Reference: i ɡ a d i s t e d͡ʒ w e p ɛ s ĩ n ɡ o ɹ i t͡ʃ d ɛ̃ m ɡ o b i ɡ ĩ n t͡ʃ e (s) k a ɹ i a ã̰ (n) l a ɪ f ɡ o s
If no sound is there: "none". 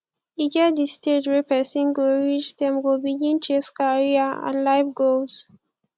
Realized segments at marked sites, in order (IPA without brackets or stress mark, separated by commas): s, n